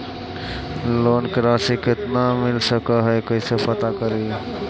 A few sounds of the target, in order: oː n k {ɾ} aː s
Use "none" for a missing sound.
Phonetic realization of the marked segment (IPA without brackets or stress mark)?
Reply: ɾ